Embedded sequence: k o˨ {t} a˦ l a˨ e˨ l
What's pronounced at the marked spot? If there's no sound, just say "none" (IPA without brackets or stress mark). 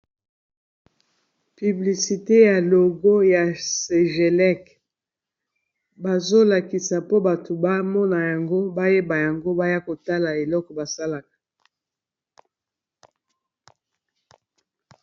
t